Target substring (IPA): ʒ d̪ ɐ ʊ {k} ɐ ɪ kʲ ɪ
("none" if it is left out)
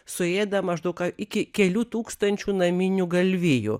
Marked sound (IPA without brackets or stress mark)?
k